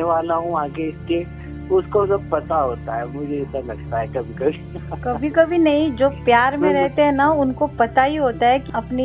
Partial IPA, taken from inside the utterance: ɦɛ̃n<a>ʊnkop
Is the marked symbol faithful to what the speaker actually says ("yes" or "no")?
yes